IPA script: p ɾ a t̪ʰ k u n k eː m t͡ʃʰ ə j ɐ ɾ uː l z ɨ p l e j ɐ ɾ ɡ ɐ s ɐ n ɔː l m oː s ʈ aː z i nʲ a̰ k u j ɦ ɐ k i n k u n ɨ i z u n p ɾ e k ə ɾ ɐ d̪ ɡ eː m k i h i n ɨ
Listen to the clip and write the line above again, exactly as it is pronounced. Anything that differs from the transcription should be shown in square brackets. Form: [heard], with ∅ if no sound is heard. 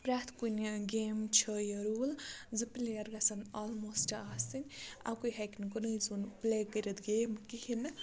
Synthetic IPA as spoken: p ɾ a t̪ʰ k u n [ɡ] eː m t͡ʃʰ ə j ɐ ɾ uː l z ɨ p l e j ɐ ɾ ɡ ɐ s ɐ n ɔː l m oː s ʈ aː [s] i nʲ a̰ k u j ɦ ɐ k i n k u n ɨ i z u n p [l] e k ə ɾ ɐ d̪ ɡ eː m k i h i n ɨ

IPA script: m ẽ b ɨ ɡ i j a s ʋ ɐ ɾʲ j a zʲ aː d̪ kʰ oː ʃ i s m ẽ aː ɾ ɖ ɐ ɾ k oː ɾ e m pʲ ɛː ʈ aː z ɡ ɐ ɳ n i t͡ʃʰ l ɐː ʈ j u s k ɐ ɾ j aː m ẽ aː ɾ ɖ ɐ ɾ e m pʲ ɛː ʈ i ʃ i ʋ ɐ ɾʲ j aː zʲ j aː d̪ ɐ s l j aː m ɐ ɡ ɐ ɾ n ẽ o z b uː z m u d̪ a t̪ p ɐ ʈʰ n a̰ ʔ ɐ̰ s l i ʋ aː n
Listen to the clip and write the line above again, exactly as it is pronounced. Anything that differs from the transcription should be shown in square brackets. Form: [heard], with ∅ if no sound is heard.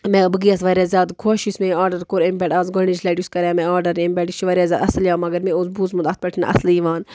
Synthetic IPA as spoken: m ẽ b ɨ ɡ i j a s ʋ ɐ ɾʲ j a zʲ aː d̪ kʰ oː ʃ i s m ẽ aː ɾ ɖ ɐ ɾ k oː ɾ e m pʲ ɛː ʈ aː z ɡ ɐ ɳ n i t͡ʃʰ l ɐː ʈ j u s k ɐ ɾ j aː m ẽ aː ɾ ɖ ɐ ɾ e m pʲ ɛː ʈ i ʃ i ʋ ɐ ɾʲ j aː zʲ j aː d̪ ɐ s l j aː m ɐ ɡ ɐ ɾ [m] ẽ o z b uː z m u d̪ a t̪ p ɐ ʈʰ n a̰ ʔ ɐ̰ s l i ʋ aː n

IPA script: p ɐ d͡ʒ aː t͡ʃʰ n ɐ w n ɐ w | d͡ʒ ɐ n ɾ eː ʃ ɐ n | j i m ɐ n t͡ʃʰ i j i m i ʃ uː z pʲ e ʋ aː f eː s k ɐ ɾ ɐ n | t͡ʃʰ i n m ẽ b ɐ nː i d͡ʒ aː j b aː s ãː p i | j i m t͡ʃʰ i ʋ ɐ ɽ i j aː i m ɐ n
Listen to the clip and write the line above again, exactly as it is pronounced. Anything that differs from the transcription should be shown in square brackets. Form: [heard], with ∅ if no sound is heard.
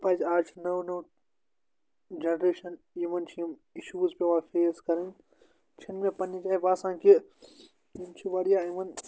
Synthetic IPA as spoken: p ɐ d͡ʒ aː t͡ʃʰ n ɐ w n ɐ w | d͡ʒ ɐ n ɾ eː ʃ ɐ n | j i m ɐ n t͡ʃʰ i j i m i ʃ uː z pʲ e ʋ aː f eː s k ɐ ɾ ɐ n | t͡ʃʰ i n m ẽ [p] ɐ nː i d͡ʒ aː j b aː s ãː [k] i | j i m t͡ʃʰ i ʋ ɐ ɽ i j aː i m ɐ n

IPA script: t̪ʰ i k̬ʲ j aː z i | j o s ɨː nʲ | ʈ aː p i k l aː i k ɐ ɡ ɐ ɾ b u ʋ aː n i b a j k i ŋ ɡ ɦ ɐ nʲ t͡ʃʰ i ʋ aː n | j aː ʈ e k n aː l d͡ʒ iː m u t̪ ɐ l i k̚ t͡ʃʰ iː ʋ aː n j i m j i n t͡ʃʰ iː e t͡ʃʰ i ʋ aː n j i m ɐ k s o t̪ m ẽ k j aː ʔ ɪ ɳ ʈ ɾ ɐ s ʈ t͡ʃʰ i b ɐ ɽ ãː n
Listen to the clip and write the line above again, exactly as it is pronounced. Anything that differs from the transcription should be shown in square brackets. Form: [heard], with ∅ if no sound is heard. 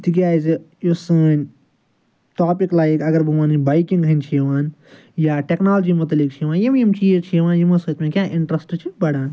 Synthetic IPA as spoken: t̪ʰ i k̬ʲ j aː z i | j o s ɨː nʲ | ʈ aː p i k l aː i k ɐ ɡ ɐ ɾ b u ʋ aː n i b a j k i ŋ ɡ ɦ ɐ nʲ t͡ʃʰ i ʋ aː n | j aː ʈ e k n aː l d͡ʒ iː m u t̪ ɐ l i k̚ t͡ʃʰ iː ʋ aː n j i m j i [m] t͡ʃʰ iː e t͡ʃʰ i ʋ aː n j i m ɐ [∅] s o t̪ m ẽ k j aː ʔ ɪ ɳ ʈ ɾ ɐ s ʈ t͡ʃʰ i b ɐ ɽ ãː n

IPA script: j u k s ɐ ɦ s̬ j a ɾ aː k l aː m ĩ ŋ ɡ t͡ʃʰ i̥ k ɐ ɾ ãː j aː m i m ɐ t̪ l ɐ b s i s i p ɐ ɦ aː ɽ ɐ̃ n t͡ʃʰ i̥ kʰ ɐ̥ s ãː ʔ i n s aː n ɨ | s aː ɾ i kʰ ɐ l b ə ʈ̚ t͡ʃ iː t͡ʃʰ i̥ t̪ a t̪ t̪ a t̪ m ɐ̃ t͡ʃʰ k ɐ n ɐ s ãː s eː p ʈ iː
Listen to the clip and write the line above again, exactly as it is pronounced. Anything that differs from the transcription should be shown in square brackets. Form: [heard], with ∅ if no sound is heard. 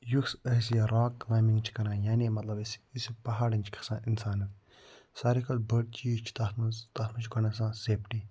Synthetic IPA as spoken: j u k s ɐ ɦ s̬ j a ɾ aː k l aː m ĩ ŋ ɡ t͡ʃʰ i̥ k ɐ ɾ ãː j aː [n] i m ɐ t̪ l ɐ b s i s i p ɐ ɦ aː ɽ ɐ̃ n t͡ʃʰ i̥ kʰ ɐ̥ s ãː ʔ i n s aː n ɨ | s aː ɾ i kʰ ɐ l b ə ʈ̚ t͡ʃ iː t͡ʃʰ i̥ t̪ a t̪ t̪ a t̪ m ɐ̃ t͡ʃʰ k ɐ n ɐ s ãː s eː p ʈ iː

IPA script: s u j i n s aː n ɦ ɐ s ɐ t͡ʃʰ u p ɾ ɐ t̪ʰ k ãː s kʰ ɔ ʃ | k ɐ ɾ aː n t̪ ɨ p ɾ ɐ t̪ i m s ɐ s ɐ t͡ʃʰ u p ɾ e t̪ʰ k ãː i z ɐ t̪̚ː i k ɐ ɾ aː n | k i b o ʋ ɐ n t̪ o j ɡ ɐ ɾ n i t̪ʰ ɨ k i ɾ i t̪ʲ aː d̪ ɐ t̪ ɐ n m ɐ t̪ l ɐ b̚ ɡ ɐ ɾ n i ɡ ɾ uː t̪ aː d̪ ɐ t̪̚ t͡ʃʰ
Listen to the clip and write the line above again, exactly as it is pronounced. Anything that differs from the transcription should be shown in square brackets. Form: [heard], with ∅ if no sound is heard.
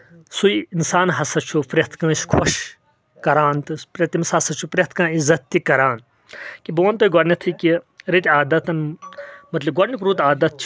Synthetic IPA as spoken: s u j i n s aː n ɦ ɐ s ɐ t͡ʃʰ u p ɾ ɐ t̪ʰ k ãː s kʰ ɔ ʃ | k ɐ ɾ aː n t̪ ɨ p ɾ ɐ t̪ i m s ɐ s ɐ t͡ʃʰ u p ɾ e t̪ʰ k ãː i z ɐ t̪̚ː i k ɐ ɾ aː n | k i b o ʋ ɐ n t̪ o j ɡ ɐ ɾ n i t̪ʰ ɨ k i ɾ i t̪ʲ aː d̪ ɐ t̪ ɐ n m ɐ t̪ l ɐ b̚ ɡ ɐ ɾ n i [k] ɾ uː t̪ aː d̪ ɐ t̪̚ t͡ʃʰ

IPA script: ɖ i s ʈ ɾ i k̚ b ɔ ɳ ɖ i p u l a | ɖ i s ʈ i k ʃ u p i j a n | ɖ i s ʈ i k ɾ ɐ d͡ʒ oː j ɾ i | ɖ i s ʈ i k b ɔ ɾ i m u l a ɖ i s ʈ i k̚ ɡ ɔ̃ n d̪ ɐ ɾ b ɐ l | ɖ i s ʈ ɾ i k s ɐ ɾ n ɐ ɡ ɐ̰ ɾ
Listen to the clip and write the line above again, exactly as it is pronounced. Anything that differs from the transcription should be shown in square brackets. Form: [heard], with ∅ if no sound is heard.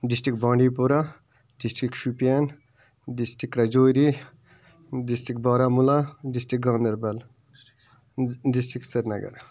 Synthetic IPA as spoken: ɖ i s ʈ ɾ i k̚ b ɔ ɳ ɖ i p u [ɾ] a | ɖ i s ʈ i k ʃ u p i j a n | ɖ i s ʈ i k ɾ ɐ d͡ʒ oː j ɾ i | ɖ i s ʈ i k b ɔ ɾ [a] m u l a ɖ i s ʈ i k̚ ɡ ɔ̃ n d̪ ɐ ɾ b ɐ l | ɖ i s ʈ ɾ i k s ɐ ɾ n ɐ ɡ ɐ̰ ɾ

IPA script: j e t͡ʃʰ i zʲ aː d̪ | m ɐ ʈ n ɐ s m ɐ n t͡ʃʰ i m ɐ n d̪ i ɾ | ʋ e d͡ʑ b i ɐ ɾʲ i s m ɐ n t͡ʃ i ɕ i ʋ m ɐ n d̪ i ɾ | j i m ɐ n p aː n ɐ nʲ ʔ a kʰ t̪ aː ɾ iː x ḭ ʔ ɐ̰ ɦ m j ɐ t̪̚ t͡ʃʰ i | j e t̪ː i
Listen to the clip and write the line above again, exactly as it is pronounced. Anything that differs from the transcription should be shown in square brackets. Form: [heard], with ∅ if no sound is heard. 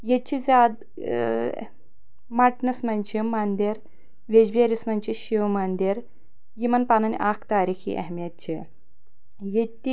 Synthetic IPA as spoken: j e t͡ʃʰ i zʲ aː d̪ | m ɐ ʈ n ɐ s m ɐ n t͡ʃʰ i m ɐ n d̪ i ɾ | ʋ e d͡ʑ b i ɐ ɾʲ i s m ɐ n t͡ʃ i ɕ i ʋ m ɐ n d̪ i ɾ | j i m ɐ n p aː n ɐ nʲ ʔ a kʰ t̪ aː ɾ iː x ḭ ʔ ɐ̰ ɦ m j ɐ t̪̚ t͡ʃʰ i | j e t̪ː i

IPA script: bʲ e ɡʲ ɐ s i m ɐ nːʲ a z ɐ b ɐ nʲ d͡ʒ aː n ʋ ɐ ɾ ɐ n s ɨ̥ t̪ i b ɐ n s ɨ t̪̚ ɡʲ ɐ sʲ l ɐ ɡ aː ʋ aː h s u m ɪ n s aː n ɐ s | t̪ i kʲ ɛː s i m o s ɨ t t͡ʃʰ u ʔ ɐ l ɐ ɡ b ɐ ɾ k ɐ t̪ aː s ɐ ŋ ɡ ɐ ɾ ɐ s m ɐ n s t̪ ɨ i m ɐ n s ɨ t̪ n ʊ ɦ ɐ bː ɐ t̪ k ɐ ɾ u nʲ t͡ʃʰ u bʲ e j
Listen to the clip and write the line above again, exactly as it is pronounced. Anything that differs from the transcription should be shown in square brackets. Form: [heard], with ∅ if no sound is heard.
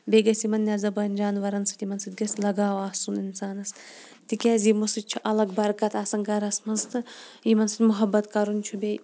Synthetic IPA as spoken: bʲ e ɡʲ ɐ s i m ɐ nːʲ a z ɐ b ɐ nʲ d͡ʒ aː n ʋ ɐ ɾ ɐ n s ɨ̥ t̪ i [m] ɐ n s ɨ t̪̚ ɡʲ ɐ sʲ l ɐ ɡ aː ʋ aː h s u [n] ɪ n s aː n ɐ s | t̪ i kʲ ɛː [z] i m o s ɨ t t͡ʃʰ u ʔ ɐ l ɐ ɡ b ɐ ɾ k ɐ t̪ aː s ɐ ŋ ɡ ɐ ɾ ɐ s m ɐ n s t̪ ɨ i m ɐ n s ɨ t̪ [m] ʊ ɦ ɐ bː ɐ t̪ k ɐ ɾ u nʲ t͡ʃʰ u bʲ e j

